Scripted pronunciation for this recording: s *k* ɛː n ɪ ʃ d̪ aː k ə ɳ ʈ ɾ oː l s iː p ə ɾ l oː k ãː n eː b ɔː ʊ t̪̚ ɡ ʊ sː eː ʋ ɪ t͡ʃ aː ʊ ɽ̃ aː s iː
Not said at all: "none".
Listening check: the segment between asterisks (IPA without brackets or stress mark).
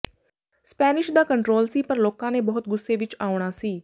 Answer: p